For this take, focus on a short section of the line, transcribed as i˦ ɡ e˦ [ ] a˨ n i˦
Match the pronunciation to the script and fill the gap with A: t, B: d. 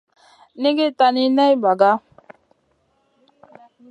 A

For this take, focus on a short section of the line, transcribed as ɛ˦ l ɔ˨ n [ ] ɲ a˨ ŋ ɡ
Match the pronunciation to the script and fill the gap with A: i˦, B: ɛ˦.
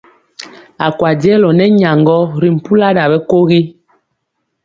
B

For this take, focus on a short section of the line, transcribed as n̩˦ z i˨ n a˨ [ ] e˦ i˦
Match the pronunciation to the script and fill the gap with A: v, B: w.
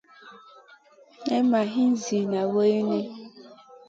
B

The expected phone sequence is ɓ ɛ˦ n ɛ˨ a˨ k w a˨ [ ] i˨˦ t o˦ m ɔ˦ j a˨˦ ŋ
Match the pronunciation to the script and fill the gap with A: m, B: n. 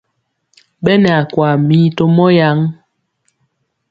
A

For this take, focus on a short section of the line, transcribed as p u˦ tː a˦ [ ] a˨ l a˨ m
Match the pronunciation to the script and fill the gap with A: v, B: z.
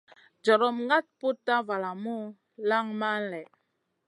A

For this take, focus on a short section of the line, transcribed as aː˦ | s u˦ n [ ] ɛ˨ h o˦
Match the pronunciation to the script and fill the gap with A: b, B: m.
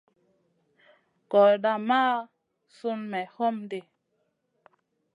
B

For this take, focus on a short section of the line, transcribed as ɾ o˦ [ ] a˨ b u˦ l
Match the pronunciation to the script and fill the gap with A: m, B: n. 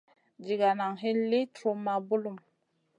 A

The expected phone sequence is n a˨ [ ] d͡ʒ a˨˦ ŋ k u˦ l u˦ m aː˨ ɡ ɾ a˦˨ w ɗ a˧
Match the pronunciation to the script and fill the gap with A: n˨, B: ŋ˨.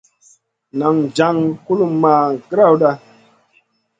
B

